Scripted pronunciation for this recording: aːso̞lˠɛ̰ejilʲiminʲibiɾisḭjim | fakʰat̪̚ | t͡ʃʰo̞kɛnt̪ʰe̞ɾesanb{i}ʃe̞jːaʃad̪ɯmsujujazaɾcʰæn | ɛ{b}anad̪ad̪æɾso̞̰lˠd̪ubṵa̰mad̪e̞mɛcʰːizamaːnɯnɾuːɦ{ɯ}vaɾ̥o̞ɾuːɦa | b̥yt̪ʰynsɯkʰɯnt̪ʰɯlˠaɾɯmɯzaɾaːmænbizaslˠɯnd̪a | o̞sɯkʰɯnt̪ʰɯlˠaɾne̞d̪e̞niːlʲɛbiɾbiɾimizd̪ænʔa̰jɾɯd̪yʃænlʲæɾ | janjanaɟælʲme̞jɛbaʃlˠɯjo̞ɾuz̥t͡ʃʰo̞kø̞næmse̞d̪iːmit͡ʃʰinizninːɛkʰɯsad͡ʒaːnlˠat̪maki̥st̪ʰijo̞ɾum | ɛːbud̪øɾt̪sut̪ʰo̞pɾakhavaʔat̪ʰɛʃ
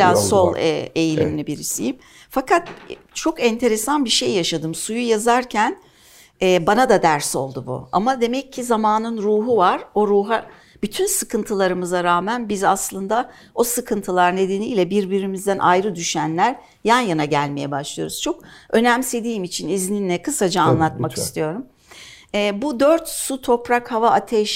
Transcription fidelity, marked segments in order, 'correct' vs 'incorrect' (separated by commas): correct, correct, incorrect